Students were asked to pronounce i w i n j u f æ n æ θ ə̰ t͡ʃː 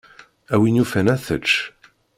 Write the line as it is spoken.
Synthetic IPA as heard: æ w i n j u f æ n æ θ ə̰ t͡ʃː